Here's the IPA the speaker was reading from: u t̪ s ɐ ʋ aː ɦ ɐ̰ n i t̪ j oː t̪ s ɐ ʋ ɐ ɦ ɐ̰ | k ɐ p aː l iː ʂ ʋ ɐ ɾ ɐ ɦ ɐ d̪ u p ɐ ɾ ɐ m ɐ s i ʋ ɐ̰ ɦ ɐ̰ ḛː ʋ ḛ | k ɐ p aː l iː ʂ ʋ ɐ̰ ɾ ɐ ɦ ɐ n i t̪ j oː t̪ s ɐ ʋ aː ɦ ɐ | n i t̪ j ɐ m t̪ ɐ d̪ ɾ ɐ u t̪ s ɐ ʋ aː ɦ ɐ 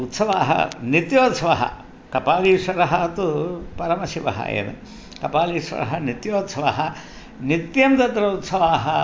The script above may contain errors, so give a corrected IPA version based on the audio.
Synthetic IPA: u t̪ s ɐ ʋ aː ɦ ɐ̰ n i t̪ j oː t̪ s ɐ ʋ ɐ ɦ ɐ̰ | k ɐ p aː l iː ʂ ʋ ɐ ɾ ɐ ɦ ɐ t̪ u p ɐ ɾ ɐ m ɐ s i ʋ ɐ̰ ɦ ɐ̰ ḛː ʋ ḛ | k ɐ p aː l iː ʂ ʋ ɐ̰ ɾ ɐ ɦ ɐ n i t̪ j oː t̪ s ɐ ʋ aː ɦ ɐ | n i t̪ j ɐ m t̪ ɐ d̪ ɾ ɐ u t̪ s ɐ ʋ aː ɦ ɐ